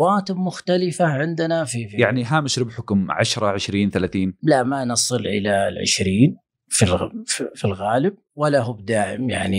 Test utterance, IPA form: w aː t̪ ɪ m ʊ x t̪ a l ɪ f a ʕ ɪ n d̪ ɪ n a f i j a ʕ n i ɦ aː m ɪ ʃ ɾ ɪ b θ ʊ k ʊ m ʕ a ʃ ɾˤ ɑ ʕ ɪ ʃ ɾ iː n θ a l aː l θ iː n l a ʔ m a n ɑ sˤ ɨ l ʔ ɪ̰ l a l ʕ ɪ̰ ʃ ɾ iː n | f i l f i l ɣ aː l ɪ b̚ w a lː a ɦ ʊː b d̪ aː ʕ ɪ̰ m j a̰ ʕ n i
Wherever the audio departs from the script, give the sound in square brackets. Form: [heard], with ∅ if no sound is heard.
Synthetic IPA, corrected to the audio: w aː t̪ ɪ m ʊ x t̪ a l ɪ f a ʕ ɪ n d̪ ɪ n a f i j a ʕ n i ɦ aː m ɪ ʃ ɾ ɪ b [ħ] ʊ k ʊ m ʕ a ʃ ɾˤ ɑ ʕ ɪ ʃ ɾ iː n θ a l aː [∅] θ iː n l a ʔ m a n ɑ sˤ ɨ l ʔ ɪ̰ l a l ʕ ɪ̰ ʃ ɾ iː n | f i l f i l ɣ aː l ɪ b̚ w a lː a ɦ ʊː b d̪ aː ʕ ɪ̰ m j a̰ ʕ n i